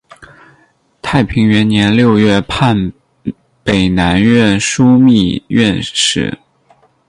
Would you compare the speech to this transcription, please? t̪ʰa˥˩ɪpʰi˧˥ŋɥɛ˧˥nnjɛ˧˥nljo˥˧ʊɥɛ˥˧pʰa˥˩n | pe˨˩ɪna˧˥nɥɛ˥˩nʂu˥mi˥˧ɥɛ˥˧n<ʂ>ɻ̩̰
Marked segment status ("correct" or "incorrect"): correct